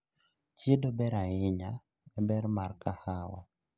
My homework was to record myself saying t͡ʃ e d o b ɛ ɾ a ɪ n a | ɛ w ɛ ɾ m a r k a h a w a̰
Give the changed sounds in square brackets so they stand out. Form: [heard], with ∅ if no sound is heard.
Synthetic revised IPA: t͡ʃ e d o b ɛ ɾ a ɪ [ɲ] a | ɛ [b] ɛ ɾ m a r k a h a w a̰